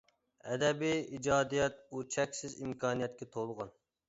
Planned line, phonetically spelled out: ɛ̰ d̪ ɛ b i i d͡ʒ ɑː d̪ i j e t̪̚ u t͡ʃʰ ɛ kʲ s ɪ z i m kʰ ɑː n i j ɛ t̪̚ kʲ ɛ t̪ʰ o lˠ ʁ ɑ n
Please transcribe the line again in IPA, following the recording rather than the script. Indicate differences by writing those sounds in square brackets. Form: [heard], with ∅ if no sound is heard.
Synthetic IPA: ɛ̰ d̪ ɛ b i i d͡ʒ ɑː d̪ i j [ɛ] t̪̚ u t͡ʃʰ ɛ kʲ s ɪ z i m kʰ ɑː n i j ɛ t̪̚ kʲ ɛ t̪ʰ o lˠ ʁ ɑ n

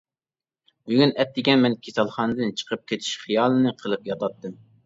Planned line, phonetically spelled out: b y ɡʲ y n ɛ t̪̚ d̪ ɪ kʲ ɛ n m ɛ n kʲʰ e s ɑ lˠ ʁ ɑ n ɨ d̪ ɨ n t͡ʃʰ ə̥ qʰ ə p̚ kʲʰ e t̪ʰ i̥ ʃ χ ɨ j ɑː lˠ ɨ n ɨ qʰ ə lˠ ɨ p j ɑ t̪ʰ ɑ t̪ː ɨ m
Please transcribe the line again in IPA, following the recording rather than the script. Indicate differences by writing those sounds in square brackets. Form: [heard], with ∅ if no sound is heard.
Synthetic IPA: b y ɡʲ y n ɛ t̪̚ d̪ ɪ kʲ ɛ n m ɛ n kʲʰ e s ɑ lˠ [χ] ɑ n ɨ d̪ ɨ n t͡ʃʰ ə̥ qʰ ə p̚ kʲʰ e t̪ʰ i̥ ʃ χ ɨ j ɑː lˠ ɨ n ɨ qʰ ə lˠ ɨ p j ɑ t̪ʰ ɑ t̪ː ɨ m

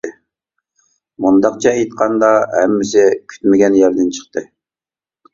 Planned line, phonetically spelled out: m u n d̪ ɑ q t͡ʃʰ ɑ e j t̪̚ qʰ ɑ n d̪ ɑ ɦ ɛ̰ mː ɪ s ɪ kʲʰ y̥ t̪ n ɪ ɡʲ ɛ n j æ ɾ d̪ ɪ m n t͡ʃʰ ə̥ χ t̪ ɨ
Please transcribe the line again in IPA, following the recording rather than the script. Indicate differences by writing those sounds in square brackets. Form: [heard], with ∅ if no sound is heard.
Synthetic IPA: m u n d̪ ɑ q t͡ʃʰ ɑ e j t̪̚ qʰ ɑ n d̪ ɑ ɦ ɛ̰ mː ɪ s ɪ kʲʰ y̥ t̪ [m] ɪ ɡʲ ɛ n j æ ɾ d̪ ɪ [∅] n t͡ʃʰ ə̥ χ t̪ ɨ

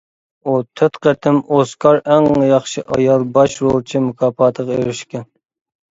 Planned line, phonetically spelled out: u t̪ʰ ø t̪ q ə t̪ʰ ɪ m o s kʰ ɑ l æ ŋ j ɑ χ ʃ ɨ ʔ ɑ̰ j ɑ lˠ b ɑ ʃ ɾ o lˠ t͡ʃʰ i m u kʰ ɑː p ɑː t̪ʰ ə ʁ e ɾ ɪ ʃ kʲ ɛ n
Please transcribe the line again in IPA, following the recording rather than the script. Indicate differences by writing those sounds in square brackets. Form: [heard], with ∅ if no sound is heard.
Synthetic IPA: u t̪ʰ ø t̪ q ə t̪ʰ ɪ m o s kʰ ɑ [ɾ] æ ŋ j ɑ χ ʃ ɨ ʔ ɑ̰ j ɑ lˠ b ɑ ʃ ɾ o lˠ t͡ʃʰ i m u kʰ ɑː p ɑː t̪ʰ ə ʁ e ɾ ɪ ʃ kʲ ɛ n

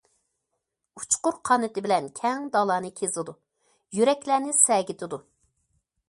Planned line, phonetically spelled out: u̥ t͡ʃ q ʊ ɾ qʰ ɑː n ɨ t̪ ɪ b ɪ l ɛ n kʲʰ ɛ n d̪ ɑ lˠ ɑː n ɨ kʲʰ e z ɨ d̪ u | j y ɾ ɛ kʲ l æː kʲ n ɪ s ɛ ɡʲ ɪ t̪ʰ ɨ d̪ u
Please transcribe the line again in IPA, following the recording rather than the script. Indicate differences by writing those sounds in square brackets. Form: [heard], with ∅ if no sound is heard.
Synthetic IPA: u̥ t͡ʃ q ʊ ɾ qʰ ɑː n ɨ t̪ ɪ b ɪ l ɛ n kʲʰ ɛ [ŋ] d̪ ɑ lˠ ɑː n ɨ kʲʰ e z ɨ d̪ u | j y ɾ ɛ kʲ l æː [∅] n ɪ s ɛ ɡʲ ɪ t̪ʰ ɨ d̪ u

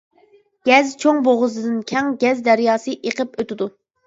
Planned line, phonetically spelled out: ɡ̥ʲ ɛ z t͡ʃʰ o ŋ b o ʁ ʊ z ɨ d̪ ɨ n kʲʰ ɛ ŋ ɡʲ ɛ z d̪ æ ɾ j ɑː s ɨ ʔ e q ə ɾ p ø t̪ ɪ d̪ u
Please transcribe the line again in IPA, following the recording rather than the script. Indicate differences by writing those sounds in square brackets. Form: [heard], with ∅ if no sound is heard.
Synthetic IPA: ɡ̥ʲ ɛ z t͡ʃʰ o ŋ b o ʁ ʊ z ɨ d̪ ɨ n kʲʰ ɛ ŋ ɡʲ ɛ z d̪ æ ɾ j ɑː s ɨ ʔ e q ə [∅] p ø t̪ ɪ d̪ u

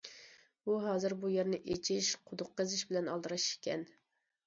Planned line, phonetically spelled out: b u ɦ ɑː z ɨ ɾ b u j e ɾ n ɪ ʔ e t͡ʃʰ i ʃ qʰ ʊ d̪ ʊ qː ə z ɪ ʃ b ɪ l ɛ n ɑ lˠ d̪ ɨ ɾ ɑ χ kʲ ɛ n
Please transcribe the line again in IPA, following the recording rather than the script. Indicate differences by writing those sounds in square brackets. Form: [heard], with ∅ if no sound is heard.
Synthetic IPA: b u ɦ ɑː z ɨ ɾ b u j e ɾ n ɪ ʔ e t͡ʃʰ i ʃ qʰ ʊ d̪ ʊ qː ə z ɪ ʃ b ɪ l ɛ n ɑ lˠ d̪ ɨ ɾ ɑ [ʃ] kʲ ɛ n

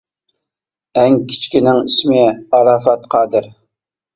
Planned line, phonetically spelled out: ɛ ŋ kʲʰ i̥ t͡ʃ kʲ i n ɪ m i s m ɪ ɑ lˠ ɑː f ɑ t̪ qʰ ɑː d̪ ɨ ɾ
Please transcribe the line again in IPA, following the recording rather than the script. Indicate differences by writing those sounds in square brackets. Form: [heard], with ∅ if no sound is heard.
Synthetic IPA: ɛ ŋ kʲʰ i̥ t͡ʃ kʲ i n ɪ [ŋ] i s m ɪ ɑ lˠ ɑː f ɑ t̪ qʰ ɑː d̪ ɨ ɾ

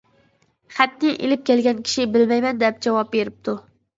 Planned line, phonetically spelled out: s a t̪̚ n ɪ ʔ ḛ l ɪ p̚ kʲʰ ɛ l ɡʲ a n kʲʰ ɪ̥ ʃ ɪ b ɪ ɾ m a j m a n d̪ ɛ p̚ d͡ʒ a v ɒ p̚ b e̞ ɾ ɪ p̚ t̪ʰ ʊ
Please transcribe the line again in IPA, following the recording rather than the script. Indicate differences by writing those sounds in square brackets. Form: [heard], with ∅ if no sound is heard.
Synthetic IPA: [χ] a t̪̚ n ɪ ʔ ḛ l ɪ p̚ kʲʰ [e] l ɡʲ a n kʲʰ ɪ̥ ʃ ɪ b ɪ [l] m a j m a n d̪ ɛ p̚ d͡ʒ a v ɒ p̚ b e̞ ɾ ɪ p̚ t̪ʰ ʊ

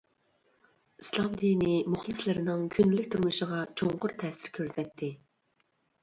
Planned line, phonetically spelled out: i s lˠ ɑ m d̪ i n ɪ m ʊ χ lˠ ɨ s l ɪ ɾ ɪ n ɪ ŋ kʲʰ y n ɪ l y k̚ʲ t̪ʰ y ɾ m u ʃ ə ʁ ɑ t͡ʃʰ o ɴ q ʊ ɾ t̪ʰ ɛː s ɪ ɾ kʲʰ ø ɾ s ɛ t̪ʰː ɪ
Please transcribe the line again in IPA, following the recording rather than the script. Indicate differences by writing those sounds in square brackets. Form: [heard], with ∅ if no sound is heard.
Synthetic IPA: i s lˠ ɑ m d̪ i n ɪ m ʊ χ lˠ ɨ s l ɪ ɾ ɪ n ɪ ŋ kʲʰ y n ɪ l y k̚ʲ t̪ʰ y ɾ m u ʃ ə ʁ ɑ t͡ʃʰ o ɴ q ʊ ɾ t̪ʰ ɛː s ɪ ɾ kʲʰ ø ɾ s ɛ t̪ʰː ɪ

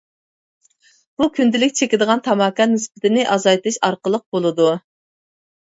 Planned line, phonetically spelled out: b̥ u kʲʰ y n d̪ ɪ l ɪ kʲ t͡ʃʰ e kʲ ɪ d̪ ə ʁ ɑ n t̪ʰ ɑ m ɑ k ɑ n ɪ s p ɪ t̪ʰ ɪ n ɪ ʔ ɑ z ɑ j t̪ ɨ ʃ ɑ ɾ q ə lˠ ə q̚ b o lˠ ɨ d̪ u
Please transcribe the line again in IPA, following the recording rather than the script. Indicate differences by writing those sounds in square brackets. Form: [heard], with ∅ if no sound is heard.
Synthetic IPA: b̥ u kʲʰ y n d̪ ɪ l ɪ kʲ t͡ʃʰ e kʲ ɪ d̪ ə ʁ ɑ n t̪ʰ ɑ m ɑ k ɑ n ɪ s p ɪ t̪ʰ ɪ n ɪ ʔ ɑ z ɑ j t̪ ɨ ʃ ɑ ɾ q ə lˠ ə q̚ b o lˠ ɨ d̪ u

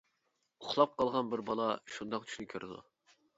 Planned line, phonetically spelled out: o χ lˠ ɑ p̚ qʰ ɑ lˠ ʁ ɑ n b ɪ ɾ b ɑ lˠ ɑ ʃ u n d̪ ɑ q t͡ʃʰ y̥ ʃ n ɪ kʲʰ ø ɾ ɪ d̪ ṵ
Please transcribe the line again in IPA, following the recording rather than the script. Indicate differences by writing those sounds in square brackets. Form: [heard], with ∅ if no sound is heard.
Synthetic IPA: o χ lˠ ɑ p̚ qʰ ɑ lˠ ʁ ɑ n b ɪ ɾ b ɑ lˠ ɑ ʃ u n d̪ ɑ q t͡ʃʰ y̥ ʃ n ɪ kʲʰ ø ɾ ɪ d̪ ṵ

